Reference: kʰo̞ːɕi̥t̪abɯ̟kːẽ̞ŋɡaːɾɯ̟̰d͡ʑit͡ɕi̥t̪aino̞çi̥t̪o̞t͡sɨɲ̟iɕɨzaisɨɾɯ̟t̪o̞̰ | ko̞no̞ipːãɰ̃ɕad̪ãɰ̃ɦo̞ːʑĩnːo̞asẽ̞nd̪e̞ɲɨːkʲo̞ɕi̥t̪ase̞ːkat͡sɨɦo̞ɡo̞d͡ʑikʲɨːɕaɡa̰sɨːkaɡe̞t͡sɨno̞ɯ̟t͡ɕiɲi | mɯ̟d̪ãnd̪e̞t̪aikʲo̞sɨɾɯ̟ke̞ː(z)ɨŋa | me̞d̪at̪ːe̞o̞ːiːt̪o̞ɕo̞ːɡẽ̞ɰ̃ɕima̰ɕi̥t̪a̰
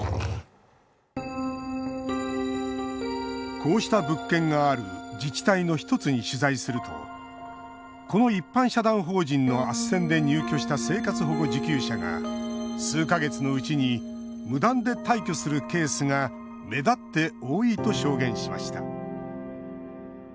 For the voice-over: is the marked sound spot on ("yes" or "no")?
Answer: no